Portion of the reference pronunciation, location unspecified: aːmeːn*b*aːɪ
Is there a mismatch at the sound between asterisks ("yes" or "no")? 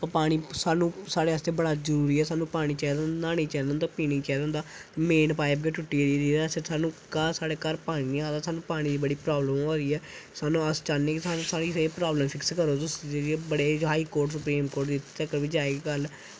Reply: yes